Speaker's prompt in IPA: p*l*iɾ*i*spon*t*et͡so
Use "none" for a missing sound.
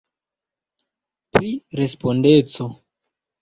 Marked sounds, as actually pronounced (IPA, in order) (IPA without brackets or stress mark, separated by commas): ɾ, e, d